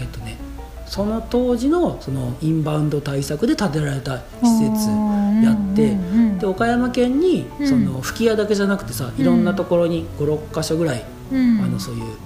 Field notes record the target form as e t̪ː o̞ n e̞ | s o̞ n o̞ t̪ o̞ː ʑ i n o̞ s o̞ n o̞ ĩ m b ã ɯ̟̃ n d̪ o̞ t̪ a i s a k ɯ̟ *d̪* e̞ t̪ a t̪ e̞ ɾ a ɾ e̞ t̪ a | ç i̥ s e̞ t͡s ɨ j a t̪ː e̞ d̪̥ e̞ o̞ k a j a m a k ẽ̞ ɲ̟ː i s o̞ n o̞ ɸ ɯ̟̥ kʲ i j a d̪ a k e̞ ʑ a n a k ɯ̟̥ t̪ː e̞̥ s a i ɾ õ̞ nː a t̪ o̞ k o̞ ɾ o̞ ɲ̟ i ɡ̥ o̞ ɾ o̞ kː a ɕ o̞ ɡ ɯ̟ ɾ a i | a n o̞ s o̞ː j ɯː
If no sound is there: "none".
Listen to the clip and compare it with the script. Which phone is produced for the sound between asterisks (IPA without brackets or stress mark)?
d̪